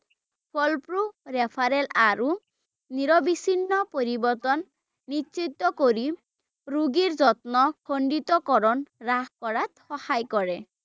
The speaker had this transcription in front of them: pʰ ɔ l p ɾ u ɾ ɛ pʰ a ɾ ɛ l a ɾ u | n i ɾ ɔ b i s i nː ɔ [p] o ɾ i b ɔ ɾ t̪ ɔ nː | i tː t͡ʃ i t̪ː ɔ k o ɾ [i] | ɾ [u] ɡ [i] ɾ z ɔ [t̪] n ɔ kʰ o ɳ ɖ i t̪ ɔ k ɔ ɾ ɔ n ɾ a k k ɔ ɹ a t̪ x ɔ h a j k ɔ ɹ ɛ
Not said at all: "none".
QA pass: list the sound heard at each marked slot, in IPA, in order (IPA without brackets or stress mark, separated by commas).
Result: p, i, u, i, t̪